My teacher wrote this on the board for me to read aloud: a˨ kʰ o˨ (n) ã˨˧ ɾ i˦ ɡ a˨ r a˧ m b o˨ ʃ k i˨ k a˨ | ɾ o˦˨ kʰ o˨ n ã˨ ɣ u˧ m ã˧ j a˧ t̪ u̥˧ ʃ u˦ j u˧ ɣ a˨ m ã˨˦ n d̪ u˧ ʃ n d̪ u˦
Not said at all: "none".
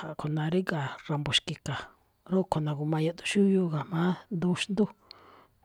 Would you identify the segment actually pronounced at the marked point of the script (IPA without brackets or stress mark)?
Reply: n